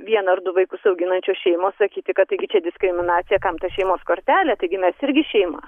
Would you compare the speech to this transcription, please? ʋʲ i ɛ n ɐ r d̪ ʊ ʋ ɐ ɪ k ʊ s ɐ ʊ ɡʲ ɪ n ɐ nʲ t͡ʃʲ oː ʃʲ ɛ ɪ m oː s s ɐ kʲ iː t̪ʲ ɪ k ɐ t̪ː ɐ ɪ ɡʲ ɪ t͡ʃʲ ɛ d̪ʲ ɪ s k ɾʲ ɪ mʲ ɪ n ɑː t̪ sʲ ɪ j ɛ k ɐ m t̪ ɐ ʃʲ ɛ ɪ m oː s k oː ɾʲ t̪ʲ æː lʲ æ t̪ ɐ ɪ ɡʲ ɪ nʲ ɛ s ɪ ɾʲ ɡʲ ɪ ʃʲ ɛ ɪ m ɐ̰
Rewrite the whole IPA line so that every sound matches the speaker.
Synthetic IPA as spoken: ʋʲ i ɛ n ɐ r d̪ ʊ ʋ ɐ ɪ k ʊ s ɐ ʊ ɡʲ ɪ n ɐ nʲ t͡ʃʲ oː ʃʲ ɛ ɪ m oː s s ɐ kʲ iː t̪ʲ ɪ k ɐ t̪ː ɐ ɪ ɡʲ ɪ t͡ʃʲ ɛ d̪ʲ ɪ s k ɾʲ ɪ mʲ ɪ n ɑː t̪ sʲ ɪ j ɛ k ɐ m t̪ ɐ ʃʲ ɛ ɪ m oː s k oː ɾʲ t̪ʲ æː lʲ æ t̪ ɐ ɪ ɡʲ ɪ mʲ ɛ s ɪ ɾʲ ɡʲ ɪ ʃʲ ɛ ɪ m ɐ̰